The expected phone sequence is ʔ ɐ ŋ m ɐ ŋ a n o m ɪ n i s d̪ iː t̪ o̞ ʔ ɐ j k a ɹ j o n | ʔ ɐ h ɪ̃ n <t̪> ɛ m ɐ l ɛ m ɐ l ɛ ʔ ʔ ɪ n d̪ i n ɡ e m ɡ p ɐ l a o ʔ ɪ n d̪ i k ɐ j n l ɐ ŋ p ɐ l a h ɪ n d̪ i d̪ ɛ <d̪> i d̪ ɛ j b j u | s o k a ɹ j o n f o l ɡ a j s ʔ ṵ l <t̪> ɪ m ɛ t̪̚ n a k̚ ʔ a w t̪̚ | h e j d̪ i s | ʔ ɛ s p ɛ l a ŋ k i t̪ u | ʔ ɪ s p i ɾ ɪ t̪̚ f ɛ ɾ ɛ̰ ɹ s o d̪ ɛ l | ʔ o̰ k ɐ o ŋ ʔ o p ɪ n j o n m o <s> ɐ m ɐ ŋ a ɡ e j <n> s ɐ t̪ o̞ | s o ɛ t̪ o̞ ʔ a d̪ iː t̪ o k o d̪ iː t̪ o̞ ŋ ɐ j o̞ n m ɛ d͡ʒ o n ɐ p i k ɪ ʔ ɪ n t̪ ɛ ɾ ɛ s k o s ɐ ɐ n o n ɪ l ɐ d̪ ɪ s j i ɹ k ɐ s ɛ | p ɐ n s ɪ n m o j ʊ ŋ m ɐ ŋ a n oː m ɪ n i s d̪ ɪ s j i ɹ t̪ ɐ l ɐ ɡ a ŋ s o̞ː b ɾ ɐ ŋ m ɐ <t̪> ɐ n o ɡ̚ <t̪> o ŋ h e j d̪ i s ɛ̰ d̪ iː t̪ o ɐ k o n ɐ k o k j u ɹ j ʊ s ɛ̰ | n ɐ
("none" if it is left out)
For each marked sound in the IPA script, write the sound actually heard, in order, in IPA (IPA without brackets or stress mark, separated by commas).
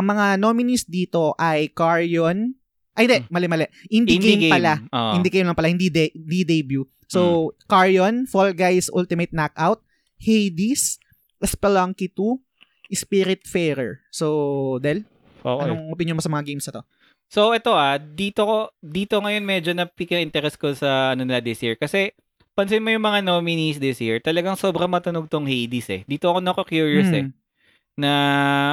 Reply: d̪, d̪, t̪, s, m, t̪, t̪